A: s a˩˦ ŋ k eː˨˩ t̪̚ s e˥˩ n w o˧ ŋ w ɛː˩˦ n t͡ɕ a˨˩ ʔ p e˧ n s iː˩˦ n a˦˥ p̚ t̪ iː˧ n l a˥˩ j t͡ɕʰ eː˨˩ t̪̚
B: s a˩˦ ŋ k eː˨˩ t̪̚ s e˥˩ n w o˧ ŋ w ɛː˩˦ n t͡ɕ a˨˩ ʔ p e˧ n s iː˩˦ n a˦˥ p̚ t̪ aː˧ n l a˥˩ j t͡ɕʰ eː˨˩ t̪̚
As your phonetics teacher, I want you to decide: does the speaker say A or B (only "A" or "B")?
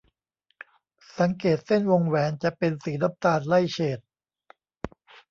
B